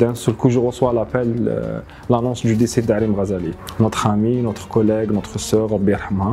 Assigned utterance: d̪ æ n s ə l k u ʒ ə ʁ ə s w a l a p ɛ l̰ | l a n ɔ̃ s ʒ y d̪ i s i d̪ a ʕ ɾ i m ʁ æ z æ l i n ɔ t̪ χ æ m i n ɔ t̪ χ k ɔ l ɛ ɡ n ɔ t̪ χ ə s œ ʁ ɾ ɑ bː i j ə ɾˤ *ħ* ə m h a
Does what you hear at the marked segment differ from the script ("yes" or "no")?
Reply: no